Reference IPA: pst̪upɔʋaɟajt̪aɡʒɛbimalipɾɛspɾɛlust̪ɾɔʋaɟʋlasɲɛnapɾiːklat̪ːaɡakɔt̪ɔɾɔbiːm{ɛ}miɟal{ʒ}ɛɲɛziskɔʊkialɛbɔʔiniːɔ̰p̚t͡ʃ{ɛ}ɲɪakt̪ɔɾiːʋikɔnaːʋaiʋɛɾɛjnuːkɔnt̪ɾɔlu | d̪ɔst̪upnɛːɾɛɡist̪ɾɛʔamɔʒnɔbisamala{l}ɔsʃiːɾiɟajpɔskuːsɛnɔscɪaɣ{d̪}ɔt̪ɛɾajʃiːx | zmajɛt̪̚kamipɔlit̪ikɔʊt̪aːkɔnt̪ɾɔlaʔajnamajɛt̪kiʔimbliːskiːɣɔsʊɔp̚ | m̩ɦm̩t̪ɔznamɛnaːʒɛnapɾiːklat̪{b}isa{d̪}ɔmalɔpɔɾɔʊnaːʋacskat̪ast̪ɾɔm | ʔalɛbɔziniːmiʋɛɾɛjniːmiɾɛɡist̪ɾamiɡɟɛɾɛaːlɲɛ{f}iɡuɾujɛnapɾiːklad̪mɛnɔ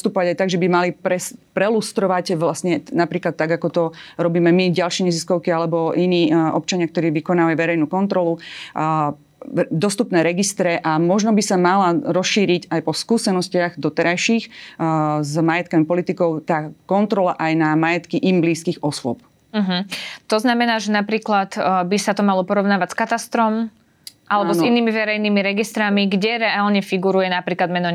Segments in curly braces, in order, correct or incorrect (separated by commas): correct, incorrect, incorrect, incorrect, correct, correct, incorrect, correct